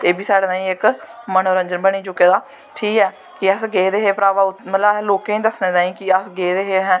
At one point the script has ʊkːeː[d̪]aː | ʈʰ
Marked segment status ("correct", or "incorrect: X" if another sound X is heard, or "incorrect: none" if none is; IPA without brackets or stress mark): correct